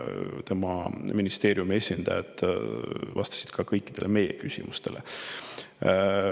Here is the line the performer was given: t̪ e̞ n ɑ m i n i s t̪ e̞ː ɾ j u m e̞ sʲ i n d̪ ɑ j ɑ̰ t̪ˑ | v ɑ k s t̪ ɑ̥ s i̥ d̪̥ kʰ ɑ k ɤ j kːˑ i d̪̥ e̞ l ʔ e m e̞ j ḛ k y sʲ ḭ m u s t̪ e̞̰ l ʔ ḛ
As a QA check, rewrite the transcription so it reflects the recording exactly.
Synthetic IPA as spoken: t̪ e̞ m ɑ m i n i s t̪ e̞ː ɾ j u m e̞ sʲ i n d̪ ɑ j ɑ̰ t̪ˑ | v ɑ s t̪ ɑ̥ s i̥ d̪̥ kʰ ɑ k ɤ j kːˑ i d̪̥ e̞ l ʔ e m e̞ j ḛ k y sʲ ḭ m u s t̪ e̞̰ l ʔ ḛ